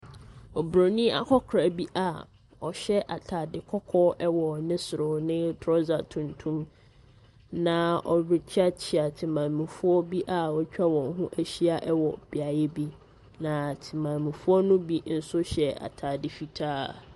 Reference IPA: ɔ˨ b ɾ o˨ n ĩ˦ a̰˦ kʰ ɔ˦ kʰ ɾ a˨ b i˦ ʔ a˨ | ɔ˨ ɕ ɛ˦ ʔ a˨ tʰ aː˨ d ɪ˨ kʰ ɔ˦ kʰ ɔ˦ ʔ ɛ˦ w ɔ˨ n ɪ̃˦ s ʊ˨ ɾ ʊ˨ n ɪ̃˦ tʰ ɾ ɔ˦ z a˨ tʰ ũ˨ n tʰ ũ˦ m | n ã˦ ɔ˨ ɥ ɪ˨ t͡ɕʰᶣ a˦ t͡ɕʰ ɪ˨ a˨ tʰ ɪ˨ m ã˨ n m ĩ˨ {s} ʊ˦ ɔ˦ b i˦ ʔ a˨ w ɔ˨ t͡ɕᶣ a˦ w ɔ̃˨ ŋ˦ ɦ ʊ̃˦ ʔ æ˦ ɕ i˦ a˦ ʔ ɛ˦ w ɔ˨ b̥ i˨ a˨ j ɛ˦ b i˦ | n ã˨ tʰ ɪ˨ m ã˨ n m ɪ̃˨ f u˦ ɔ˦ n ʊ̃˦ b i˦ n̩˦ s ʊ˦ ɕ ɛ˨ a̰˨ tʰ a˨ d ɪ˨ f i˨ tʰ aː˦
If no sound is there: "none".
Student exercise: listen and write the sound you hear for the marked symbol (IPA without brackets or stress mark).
f